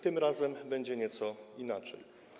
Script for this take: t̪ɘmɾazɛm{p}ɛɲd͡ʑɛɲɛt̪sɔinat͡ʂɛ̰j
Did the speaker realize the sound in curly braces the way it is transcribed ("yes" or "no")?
no